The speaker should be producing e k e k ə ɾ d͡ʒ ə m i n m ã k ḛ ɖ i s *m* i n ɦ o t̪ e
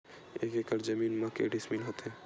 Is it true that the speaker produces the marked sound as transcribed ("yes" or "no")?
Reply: yes